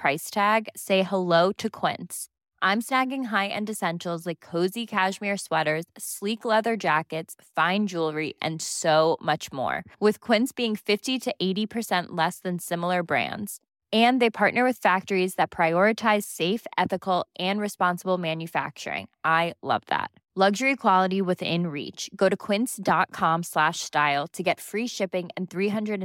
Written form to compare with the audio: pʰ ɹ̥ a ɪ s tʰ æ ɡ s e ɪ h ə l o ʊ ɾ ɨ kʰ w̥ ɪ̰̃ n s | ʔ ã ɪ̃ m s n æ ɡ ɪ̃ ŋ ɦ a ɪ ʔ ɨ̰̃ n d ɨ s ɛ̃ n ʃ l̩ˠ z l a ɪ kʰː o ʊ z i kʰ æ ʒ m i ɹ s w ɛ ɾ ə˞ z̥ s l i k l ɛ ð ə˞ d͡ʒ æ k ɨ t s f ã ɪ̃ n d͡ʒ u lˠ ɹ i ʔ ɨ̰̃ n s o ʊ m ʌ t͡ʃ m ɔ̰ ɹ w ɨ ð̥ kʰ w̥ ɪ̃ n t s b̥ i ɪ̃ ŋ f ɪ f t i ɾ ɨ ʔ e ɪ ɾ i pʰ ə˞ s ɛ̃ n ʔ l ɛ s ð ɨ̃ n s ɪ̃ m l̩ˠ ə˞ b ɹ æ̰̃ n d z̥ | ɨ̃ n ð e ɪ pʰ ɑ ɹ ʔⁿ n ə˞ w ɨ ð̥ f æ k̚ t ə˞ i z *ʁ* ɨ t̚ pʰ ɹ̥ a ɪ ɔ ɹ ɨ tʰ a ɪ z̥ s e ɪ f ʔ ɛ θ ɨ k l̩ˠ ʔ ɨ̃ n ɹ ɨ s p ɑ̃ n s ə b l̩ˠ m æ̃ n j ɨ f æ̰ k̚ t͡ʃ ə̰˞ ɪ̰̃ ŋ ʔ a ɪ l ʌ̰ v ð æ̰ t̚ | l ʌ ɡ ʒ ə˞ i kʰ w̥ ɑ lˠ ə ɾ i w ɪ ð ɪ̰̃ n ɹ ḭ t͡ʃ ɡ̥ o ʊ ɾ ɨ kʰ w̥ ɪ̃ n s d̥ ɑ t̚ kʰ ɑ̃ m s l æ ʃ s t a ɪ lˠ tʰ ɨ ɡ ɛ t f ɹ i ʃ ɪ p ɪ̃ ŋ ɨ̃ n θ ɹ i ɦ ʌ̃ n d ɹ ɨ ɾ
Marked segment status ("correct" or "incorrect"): incorrect